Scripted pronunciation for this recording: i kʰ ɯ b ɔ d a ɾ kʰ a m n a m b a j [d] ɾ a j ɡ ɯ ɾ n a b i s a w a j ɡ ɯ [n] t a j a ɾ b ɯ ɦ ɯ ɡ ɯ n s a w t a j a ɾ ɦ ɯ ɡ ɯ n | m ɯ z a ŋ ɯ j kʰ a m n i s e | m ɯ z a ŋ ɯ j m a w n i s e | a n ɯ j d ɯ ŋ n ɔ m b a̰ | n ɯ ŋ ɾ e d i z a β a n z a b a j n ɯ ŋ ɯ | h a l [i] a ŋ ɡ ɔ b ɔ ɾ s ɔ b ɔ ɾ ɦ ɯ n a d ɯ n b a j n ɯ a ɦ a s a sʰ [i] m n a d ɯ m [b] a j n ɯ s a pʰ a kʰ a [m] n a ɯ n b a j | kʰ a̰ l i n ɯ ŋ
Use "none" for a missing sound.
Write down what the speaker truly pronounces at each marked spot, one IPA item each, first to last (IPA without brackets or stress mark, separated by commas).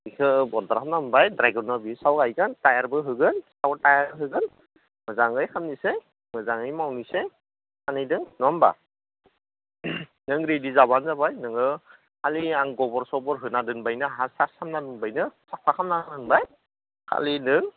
d, n, i, a, b, m